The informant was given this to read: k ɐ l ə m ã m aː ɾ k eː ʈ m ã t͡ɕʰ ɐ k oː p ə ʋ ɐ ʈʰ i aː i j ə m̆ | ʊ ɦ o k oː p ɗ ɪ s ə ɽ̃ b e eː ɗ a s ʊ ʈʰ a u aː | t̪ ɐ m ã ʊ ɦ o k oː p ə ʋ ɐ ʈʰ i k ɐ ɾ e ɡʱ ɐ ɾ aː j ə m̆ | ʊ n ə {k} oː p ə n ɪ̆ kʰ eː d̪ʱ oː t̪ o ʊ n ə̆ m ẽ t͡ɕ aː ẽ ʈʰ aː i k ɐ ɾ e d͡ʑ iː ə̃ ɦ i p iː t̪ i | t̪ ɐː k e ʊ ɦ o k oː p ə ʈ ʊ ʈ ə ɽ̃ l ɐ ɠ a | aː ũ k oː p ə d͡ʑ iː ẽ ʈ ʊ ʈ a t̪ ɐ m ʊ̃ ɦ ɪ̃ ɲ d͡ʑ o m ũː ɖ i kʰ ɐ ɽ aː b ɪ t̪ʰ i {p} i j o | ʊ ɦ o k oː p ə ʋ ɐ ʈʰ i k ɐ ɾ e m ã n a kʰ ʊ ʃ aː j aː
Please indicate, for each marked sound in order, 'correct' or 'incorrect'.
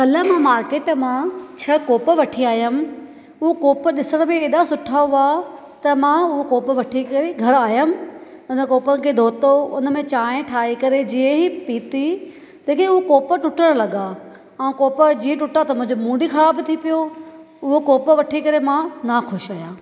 correct, correct

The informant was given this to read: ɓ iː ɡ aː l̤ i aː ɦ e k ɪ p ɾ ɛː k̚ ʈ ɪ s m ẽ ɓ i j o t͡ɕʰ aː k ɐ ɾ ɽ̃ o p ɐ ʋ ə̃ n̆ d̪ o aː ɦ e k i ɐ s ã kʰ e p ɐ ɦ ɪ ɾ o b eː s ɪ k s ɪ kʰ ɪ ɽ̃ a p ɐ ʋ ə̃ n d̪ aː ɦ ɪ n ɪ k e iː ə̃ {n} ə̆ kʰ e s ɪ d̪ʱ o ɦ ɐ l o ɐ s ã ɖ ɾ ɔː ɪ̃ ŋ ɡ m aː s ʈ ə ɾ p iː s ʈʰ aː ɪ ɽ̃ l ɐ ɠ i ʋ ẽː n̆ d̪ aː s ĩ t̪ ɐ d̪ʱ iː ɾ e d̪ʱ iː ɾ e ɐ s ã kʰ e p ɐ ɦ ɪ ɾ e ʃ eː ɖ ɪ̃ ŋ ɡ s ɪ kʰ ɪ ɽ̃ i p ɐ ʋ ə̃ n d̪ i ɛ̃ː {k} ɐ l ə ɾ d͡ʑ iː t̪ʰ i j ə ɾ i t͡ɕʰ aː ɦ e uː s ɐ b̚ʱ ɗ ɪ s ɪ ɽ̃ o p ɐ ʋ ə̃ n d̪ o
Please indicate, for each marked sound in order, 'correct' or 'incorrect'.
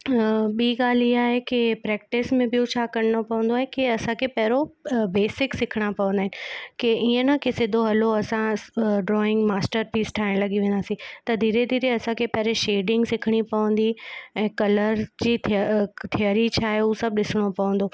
correct, correct

